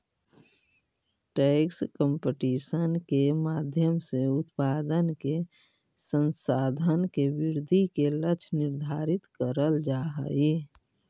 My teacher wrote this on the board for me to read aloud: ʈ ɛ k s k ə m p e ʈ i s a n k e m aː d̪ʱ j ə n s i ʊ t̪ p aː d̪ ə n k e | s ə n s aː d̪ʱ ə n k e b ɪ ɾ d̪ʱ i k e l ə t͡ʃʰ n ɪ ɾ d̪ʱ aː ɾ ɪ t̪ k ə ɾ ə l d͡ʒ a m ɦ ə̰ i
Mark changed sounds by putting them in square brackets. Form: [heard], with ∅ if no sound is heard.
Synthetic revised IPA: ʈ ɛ k s k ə m p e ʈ i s [ə] n k e m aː d̪ʱ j ə [m] s [e] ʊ t̪ p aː d̪ ə n k e | s ə n s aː d̪ʱ ə n k e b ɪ ɾ d̪ʱ i k e l ə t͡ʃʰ n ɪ ɾ d̪ʱ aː ɾ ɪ t̪ k ə ɾ ə l d͡ʒ a [∅] ɦ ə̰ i

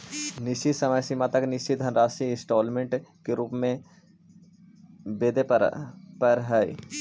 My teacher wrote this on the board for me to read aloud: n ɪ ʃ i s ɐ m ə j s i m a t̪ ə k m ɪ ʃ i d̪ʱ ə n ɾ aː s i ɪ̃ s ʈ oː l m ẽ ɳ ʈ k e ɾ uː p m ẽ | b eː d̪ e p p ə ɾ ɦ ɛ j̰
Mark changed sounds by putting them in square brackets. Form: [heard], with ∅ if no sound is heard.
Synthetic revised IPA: n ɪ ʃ i s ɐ m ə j s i m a t̪ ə k [n] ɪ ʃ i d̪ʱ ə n ɾ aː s i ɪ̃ s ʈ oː l m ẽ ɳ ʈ k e ɾ uː p m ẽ | b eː d̪ e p p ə ɾ ɦ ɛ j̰

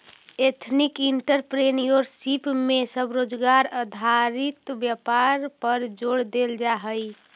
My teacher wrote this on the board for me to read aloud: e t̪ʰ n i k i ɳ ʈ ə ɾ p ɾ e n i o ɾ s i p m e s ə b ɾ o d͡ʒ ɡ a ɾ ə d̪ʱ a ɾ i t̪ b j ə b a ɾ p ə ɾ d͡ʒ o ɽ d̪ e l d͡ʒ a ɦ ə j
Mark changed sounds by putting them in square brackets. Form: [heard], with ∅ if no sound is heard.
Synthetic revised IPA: e t̪ʰ n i k i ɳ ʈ ə ɾ p ɾ e n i o ɾ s i p m e s ə b ɾ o d͡ʒ ɡ a ɾ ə d̪ʱ a ɾ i t̪ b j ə [p] a ɾ p ə ɾ d͡ʒ o ɽ d̪ e l d͡ʒ a ɦ ə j

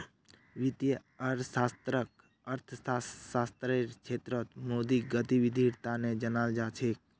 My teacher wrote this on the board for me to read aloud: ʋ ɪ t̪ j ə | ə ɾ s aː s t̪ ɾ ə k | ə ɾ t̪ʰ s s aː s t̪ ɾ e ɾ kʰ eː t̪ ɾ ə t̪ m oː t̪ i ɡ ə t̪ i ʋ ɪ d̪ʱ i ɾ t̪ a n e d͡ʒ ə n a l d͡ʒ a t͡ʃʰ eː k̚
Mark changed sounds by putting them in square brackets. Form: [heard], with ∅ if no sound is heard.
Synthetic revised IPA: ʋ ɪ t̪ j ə | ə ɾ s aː s t̪ ɾ ə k | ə ɾ t̪ʰ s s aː s t̪ ɾ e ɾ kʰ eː t̪ ɾ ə t̪ m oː [d̪] i ɡ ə t̪ i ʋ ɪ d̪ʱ i ɾ t̪ a n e d͡ʒ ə n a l d͡ʒ a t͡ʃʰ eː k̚

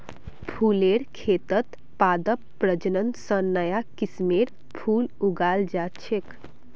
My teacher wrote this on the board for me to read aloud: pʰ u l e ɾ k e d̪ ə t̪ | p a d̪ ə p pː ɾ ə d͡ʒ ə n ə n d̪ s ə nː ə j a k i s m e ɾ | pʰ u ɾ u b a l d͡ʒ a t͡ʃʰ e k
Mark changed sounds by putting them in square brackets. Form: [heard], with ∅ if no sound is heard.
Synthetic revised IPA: pʰ u l e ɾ [kʰ] e [t̪] ə t̪ | p a d̪ ə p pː ɾ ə d͡ʒ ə n ə n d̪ s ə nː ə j a k i s m e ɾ | pʰ u [l] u [ɡ] a l d͡ʒ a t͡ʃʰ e k

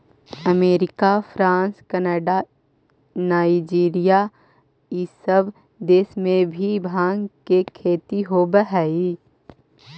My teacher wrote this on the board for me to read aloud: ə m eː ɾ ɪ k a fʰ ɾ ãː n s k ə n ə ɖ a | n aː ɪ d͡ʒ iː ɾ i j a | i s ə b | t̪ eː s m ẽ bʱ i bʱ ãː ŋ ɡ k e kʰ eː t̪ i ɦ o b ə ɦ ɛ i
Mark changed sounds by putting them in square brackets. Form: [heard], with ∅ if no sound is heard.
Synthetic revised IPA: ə m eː ɾ ɪ k a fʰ ɾ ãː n s k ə n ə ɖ a | n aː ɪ d͡ʒ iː ɾ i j a | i s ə b | [d̪] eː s m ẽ bʱ i bʱ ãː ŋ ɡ k e kʰ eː t̪ i ɦ o b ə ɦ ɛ i

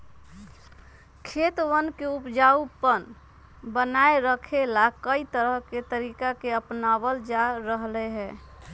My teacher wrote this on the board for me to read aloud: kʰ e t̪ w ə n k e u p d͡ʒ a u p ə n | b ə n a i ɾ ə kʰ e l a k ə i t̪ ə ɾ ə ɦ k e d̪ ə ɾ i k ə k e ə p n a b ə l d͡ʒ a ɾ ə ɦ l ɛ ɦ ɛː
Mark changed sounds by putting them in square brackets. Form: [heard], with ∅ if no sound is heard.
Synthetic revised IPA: kʰ e t̪ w ə n k e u p d͡ʒ a u p ə n | b ə n a [e] ɾ ə kʰ e l a k ə i t̪ ə ɾ ə ɦ k e [t̪] ə ɾ i k [a] k e ə p n a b ə l d͡ʒ a ɾ ə ɦ l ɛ ɦ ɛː

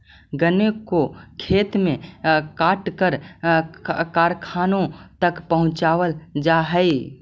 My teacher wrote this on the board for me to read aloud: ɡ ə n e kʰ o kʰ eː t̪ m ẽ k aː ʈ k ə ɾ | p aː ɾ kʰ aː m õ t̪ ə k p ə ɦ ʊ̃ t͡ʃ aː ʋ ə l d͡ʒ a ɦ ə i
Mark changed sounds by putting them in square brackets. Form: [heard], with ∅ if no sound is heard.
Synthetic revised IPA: ɡ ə n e [k] o kʰ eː t̪ m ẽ k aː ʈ k ə ɾ | [k] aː ɾ kʰ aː [n] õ t̪ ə k p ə ɦ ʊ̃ t͡ʃ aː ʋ ə l d͡ʒ a ɦ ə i

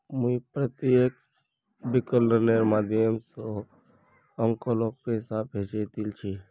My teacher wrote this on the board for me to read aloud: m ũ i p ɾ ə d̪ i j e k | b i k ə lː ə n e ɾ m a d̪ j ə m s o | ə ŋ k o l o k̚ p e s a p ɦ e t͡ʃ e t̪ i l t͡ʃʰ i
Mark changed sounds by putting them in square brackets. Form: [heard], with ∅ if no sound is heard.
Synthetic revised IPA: m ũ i p ɾ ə [t̪] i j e k | b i k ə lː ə n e ɾ m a d̪ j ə m s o | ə ŋ k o l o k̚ p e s a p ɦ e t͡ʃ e t̪ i l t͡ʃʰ i

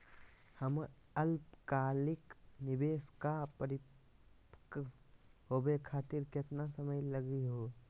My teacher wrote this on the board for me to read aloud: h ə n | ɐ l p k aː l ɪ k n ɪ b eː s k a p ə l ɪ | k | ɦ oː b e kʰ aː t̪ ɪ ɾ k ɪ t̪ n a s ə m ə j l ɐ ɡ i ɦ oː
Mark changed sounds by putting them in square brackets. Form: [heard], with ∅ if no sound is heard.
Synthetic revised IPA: h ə [m] | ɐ l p k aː l ɪ k n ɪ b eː s k a p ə [ɾ] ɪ | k | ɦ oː b e kʰ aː t̪ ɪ ɾ k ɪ t̪ n a s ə m ə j l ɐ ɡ i ɦ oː

